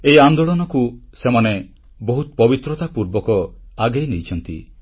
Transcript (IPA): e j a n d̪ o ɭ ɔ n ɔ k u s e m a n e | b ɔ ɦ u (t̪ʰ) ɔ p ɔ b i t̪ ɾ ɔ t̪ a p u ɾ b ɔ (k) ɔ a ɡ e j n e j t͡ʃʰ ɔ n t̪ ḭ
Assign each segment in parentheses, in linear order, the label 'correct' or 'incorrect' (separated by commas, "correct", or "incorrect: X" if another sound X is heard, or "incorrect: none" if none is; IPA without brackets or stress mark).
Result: incorrect: t̪, correct